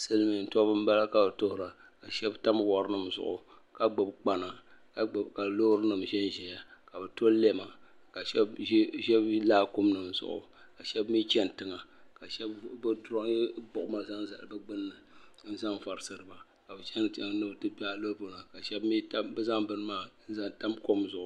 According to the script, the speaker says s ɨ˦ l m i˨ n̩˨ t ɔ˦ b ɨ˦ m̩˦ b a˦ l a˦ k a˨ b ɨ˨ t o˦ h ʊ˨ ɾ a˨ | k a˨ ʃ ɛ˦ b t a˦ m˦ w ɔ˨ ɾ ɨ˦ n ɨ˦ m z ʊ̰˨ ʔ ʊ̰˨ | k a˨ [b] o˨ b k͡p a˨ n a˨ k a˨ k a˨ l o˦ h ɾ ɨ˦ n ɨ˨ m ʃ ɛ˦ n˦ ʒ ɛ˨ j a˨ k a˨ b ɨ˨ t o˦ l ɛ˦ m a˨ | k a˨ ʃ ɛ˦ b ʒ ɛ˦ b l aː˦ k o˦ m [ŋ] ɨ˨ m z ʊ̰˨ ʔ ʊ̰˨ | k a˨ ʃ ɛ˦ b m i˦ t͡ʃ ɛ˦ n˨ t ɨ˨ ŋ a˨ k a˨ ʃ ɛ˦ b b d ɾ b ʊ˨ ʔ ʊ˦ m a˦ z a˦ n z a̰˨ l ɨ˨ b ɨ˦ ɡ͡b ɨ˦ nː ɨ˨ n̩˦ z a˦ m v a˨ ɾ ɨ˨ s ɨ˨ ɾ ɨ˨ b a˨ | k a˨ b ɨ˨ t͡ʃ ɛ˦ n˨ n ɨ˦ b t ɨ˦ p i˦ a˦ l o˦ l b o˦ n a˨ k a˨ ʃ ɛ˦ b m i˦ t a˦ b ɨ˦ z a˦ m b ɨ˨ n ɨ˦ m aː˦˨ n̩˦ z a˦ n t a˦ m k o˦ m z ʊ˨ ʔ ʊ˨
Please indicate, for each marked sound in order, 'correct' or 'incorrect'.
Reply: incorrect, incorrect

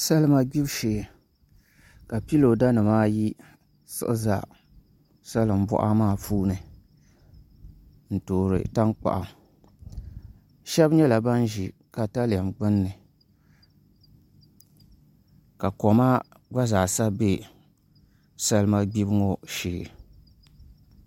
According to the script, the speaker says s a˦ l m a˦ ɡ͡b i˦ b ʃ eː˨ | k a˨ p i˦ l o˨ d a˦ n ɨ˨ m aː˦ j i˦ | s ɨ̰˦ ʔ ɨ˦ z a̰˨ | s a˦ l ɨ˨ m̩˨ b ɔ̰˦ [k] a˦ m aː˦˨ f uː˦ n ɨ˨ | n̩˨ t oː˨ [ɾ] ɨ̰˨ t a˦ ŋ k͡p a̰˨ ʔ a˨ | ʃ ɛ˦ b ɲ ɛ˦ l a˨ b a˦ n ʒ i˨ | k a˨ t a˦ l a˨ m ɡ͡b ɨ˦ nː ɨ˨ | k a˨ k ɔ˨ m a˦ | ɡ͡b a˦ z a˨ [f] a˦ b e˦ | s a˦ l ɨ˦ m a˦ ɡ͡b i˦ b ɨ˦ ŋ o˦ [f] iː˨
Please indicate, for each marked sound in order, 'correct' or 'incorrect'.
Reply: incorrect, correct, incorrect, incorrect

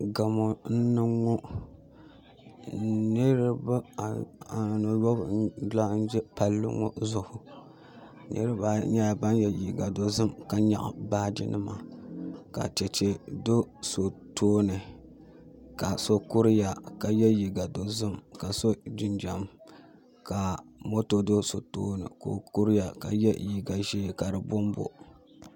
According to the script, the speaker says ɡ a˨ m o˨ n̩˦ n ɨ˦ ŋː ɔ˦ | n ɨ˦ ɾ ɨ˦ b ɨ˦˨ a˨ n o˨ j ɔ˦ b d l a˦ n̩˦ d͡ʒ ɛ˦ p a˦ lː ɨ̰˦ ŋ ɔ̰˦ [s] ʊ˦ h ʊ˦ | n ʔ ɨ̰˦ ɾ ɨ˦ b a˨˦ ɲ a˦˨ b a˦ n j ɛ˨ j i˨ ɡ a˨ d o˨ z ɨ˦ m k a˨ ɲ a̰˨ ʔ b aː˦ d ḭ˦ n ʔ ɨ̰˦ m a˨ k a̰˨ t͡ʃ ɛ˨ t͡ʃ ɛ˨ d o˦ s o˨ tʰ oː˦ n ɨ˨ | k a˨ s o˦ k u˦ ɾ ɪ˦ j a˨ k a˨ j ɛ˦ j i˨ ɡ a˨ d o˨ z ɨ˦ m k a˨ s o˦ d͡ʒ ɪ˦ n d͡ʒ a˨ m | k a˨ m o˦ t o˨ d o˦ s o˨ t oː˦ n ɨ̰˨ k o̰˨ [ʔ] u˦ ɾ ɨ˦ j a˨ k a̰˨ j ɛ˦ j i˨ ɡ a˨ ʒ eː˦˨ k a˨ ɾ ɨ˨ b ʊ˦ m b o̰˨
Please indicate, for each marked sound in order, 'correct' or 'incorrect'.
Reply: incorrect, incorrect

